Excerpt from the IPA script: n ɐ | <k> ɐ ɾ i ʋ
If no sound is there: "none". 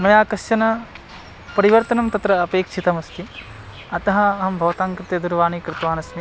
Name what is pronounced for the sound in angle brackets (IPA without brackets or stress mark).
p